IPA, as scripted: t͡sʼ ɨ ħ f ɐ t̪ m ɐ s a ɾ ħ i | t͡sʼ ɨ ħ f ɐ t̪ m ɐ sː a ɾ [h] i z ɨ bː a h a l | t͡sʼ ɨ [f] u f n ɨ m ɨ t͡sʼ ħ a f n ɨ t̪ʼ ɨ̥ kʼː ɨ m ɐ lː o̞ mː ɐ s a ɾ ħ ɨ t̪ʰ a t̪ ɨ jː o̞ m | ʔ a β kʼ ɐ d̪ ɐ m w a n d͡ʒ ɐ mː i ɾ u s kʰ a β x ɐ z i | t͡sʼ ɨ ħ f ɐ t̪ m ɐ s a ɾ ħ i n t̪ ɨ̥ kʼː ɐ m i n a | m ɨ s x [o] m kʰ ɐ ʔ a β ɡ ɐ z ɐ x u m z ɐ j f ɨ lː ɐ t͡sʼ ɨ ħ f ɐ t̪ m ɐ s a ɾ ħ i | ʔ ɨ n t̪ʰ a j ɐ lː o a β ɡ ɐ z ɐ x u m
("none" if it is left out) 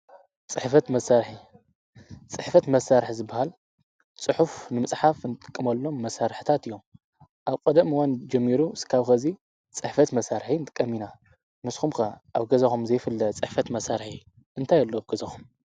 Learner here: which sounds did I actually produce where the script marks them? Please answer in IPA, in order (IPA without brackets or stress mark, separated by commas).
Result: ħ, ħ, u